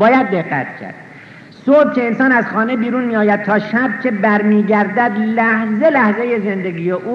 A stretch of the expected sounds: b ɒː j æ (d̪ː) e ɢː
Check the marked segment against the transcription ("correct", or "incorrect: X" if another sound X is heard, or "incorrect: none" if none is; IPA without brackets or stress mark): correct